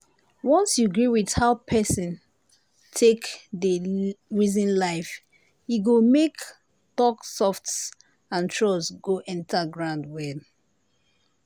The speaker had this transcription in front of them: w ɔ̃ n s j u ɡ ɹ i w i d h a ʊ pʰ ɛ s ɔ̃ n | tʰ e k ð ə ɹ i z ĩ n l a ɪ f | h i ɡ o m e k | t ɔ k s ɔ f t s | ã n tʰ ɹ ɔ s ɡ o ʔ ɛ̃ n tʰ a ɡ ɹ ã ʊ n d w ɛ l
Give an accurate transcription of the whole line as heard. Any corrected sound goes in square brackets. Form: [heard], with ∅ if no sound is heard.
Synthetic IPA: w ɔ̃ n s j u ɡ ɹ i w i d h a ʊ pʰ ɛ s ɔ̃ n | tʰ e k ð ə ɹ i z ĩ n l a ɪ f | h i ɡ o m e k | t ɔ k s ɔ f t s | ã n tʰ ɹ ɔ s ɡ o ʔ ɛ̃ n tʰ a ɡ ɹ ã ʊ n d w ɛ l